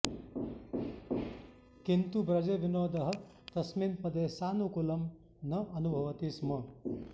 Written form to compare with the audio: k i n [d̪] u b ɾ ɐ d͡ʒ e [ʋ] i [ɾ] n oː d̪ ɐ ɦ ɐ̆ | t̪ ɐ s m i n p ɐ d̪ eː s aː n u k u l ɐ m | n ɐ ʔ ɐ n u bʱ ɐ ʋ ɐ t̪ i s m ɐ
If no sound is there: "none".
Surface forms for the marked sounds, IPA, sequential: t̪, ʋ, none

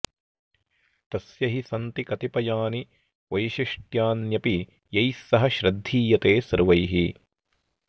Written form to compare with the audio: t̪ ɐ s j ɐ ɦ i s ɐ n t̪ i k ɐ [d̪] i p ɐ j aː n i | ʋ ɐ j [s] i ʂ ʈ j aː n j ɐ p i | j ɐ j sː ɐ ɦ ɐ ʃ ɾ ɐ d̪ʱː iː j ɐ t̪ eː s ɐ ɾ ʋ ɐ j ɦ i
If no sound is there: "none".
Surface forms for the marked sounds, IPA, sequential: t̪, ʃ

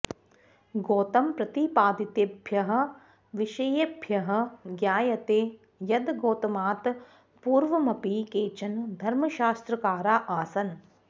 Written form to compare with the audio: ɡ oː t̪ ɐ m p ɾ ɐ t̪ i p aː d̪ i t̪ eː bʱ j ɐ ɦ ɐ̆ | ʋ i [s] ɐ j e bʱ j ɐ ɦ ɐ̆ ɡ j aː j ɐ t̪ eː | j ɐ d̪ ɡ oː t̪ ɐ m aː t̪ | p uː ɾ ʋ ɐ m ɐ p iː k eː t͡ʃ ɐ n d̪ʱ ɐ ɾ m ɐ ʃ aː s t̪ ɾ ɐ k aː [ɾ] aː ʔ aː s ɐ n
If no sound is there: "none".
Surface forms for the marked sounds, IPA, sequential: ʃ, ɾ

